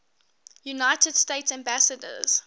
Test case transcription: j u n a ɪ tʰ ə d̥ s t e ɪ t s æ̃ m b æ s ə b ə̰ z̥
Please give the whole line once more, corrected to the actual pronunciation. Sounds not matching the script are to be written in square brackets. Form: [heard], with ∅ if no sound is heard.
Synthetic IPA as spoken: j u n a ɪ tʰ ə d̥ s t e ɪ t s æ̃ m b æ s ə [d] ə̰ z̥